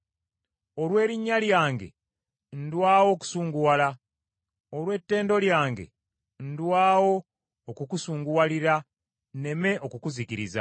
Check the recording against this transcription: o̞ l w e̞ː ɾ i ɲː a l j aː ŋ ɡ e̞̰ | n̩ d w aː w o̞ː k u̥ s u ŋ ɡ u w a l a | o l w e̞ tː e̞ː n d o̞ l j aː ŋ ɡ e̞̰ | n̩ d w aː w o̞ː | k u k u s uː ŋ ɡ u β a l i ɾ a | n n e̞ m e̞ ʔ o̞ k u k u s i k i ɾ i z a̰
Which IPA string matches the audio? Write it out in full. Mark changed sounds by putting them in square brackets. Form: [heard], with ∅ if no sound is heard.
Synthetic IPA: o̞ l w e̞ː ɾ i ɲː a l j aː ŋ ɡ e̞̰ | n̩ d w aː w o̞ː k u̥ s [uː] ŋ ɡ u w a l a | o l w e̞ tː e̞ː n d o̞ l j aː ŋ ɡ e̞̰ | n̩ d w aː w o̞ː | k u k u s uː ŋ ɡ u [w] a l i ɾ a | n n e̞ m e̞ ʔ o̞ k u k u [z] i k i ɾ i z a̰